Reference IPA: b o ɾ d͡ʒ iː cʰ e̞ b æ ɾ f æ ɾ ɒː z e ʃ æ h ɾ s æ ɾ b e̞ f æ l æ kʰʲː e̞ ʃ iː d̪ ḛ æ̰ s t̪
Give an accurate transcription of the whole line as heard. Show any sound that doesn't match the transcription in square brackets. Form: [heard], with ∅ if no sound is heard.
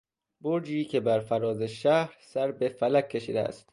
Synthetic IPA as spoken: b o ɾ d͡ʒ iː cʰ e̞ b æ ɾ f æ ɾ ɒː z e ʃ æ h ɾ s æ ɾ b e̞ f æ l æ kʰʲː e̞ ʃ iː d̪ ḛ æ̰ s t̪